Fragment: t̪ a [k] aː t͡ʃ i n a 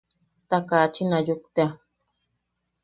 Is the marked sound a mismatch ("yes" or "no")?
no